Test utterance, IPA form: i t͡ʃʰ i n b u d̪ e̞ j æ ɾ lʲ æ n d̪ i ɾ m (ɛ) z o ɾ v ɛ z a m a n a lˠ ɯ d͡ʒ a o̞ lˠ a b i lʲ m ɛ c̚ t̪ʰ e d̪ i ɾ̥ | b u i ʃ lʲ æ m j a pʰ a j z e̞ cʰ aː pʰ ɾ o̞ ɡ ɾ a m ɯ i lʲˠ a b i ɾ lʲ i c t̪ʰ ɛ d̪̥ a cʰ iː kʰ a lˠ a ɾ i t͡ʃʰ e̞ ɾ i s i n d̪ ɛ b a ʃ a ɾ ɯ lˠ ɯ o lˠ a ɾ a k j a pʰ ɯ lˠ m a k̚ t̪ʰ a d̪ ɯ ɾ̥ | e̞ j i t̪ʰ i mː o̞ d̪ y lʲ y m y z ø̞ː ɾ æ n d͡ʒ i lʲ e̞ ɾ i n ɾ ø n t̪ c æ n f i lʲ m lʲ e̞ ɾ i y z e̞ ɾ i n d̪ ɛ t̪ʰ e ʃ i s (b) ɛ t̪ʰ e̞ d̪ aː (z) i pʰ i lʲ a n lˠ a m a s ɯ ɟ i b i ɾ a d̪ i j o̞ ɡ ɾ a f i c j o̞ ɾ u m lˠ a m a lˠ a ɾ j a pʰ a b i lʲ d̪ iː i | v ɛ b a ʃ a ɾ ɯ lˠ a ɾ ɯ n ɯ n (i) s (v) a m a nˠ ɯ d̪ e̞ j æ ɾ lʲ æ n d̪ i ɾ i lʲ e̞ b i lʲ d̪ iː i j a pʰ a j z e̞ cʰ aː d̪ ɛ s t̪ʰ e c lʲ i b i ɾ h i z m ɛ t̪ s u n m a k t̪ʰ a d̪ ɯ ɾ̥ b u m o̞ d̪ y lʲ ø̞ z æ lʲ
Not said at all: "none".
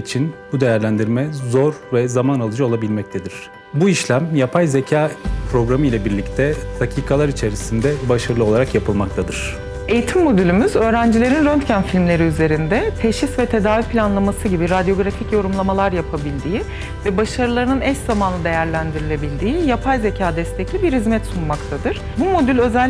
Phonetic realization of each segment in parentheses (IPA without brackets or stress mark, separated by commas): ɛ, v, v, ɛ, z